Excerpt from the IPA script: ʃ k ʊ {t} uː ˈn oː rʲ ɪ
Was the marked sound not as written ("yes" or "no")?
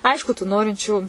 no